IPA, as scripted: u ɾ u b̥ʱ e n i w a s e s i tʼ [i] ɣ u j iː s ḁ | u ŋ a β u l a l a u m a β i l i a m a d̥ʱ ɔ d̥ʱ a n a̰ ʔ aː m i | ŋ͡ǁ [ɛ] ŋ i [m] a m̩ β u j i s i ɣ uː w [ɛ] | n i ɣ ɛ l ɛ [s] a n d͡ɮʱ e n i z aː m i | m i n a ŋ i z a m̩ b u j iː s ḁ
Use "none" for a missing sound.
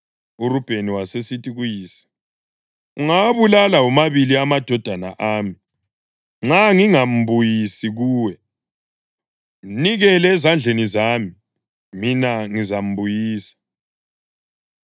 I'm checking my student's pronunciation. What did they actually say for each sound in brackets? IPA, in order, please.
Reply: i, a, ŋ, ɛ, z

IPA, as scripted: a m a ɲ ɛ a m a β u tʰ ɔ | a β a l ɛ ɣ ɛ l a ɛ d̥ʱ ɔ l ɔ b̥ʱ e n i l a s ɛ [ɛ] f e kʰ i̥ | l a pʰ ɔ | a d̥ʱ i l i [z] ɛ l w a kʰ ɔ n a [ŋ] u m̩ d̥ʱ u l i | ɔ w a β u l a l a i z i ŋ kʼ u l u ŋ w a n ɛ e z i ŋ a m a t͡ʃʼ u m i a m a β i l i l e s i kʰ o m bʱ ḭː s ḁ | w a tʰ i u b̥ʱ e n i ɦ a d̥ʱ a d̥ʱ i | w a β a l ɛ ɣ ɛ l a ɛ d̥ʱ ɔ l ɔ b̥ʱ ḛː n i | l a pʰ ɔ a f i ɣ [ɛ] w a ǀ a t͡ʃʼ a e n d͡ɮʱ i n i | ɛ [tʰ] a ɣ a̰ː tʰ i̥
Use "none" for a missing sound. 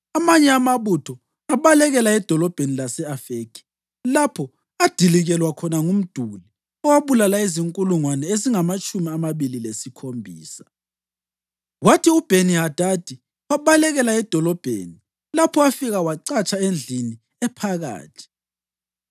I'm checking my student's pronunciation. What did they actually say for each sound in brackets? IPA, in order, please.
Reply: a, ɣ, ŋ, a, pʰ

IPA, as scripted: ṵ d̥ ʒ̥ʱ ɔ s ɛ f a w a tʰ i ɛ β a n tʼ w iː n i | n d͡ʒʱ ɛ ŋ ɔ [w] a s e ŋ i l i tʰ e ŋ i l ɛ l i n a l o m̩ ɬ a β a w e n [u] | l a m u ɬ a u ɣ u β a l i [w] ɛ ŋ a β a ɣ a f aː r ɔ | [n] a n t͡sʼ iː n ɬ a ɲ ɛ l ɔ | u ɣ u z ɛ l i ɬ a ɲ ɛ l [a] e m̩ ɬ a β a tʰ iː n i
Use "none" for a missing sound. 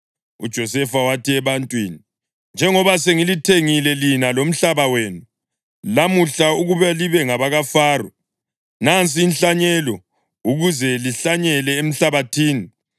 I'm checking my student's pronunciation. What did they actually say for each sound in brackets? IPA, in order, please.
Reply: β, u, β, n, ɛ

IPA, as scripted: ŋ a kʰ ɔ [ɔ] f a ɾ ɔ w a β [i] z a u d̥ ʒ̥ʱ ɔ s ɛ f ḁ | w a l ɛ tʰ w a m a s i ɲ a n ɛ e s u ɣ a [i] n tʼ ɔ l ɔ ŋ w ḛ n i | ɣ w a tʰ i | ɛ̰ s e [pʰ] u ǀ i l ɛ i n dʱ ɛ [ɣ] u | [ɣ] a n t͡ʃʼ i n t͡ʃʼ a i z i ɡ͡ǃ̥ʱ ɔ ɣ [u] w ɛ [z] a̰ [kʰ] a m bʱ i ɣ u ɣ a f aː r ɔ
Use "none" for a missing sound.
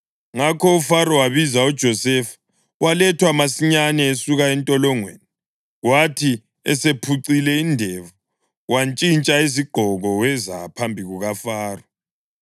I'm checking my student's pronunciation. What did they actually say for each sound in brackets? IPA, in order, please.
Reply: u, i, ɛ, pʰ, v, w, ɔ, z, pʰ

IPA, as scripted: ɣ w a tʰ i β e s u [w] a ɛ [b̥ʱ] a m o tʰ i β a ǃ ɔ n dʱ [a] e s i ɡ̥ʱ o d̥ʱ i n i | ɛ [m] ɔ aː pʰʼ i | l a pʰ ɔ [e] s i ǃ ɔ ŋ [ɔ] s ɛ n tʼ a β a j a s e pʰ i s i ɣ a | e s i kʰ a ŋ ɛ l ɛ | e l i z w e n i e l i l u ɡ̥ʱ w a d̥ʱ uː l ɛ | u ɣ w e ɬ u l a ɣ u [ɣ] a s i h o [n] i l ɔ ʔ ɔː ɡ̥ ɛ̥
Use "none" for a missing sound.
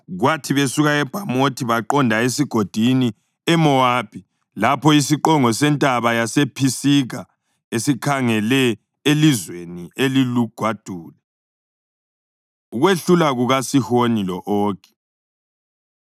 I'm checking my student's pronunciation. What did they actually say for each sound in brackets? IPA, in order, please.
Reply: ɣ, b̥ʱ, a, m, i, ɔ, ɣ, n

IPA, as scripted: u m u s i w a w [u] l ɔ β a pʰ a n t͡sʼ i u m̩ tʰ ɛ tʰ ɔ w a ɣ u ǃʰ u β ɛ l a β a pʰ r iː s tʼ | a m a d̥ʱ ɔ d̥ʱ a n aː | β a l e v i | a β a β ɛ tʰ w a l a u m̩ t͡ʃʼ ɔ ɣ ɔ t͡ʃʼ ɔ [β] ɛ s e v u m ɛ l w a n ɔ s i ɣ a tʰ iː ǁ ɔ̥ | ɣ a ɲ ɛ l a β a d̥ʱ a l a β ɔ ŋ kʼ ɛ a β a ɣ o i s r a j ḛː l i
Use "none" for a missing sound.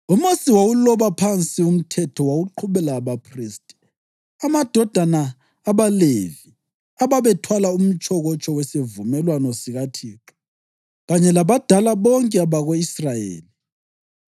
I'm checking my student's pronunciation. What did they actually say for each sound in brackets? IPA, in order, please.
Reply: u, w

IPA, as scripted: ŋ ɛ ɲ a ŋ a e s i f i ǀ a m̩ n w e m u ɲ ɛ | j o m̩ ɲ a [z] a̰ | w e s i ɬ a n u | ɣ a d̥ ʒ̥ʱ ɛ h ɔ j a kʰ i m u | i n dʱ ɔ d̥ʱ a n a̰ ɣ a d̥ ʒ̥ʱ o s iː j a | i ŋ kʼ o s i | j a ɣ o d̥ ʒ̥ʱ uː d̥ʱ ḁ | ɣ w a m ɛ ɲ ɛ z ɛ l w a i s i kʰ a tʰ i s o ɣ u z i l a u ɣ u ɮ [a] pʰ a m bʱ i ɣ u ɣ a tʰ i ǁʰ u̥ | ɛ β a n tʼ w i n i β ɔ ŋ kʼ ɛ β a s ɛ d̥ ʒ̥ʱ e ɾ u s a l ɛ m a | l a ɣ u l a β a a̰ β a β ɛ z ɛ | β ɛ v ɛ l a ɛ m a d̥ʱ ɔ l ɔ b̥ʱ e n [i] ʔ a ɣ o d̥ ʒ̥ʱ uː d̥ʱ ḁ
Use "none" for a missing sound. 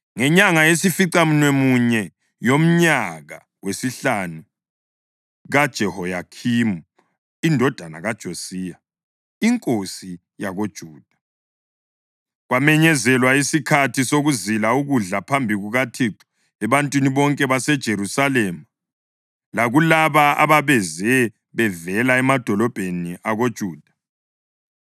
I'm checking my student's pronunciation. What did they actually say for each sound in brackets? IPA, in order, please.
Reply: ɣ, a, i

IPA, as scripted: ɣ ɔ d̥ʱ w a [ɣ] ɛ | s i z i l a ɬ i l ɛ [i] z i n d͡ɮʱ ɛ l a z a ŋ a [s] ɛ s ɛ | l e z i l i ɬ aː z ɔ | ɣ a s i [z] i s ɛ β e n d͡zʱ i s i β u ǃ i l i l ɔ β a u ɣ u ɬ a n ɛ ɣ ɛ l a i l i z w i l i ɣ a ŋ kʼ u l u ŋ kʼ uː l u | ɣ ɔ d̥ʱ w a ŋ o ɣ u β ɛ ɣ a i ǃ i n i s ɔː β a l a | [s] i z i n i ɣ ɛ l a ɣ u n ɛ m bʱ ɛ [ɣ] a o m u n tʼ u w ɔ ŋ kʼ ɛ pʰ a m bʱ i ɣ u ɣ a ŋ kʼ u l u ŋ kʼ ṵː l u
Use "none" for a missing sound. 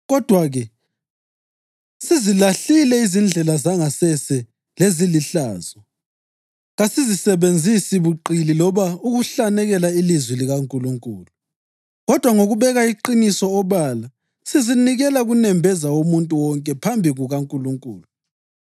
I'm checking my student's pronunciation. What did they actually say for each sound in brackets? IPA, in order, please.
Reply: ɣ, i, s, z, s, z

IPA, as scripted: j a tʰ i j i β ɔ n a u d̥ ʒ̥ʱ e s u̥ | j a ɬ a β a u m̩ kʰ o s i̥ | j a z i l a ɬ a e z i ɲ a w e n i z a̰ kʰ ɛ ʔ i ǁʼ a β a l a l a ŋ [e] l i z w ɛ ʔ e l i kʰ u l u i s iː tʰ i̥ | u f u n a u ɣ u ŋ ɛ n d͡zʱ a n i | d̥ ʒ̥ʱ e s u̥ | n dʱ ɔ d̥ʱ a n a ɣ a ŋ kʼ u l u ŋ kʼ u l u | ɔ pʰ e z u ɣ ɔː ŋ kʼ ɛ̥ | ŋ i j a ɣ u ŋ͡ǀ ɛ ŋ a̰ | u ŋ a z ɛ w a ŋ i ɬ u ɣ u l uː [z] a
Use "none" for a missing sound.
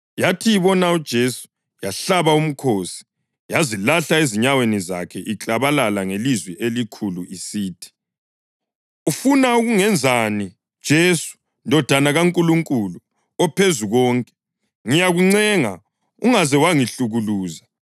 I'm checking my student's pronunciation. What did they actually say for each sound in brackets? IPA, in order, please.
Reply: e, z

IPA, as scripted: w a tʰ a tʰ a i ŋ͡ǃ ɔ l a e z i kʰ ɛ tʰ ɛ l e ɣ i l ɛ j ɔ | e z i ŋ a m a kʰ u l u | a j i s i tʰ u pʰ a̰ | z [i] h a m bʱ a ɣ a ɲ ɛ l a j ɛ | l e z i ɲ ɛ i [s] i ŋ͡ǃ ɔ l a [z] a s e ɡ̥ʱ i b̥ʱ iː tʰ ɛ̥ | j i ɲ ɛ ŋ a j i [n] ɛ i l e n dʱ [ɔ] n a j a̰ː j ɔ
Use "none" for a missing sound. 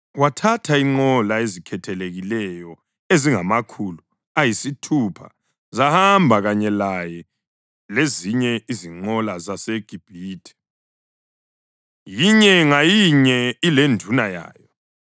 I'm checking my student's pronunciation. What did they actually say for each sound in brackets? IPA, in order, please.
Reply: a, z, z, ɲ, u

